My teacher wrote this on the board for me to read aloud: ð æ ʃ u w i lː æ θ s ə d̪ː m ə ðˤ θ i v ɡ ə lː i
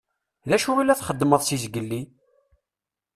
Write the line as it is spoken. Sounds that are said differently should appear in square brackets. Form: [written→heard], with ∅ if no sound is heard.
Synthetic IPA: ð æ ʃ u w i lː æ θ [s→χ] ə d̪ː m ə ðˤ [θ→s] i [v→z] ɡ ə lː i